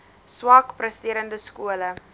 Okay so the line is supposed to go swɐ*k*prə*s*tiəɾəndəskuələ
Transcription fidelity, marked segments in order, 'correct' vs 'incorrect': correct, correct

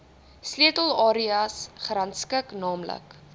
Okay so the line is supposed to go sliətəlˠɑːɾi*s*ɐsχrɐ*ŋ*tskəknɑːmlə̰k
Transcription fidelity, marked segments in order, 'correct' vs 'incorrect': incorrect: none, incorrect: n

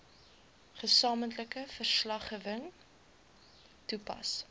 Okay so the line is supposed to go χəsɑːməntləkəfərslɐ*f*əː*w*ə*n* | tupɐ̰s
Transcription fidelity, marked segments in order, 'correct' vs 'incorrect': incorrect: χ, incorrect: v, incorrect: ŋ

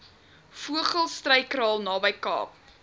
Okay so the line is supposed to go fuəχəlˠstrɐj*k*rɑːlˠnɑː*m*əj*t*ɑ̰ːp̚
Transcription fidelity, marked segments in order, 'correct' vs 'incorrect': correct, incorrect: b, incorrect: k

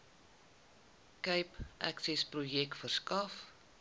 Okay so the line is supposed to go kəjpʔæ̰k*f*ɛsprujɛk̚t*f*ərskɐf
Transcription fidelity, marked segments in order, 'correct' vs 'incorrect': incorrect: s, correct

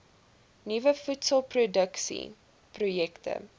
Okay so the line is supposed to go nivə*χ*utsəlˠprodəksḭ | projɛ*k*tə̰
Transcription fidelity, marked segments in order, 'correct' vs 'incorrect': incorrect: f, correct

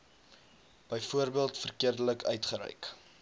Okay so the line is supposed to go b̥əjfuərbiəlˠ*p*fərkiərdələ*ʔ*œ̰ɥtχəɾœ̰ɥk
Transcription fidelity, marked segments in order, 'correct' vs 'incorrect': incorrect: t, incorrect: k

